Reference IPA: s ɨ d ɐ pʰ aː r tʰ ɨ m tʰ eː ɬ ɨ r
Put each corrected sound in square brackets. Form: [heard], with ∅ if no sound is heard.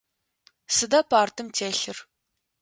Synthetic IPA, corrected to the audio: s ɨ d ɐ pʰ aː r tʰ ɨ m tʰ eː ɬ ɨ r